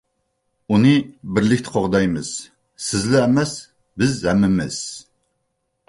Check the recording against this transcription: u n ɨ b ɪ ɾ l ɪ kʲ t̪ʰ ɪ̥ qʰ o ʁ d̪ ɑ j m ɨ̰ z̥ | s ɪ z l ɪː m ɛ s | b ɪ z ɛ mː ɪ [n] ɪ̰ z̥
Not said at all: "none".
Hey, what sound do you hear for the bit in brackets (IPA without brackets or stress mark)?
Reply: m